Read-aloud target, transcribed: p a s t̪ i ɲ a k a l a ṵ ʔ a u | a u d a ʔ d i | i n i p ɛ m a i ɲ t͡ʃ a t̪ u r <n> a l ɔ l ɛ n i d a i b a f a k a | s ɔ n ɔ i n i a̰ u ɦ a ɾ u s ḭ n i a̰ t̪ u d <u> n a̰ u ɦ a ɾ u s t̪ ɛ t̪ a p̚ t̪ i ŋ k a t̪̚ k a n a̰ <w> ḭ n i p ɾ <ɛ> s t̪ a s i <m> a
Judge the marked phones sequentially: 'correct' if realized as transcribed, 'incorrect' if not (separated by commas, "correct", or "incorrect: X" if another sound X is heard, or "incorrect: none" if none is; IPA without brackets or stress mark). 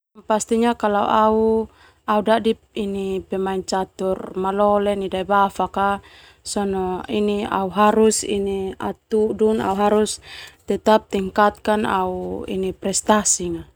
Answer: incorrect: m, correct, incorrect: u, correct, incorrect: ŋ